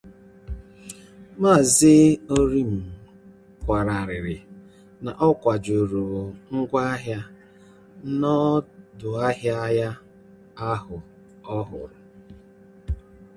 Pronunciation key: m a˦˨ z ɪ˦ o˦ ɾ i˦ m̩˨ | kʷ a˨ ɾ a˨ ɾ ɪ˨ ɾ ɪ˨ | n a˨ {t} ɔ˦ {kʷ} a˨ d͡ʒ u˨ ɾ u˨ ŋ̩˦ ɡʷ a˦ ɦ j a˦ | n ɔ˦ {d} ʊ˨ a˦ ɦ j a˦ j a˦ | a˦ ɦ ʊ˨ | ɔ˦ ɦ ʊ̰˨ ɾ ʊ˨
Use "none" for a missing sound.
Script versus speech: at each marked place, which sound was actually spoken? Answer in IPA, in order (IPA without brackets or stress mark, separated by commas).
ʔ, kʷ, d